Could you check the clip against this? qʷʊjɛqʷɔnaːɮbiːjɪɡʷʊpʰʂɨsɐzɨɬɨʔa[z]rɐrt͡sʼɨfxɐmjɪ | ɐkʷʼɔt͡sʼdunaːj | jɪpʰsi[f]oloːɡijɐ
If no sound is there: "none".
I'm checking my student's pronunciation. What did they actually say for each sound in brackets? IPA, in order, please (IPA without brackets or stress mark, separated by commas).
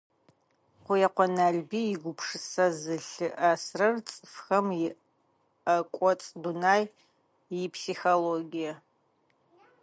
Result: s, x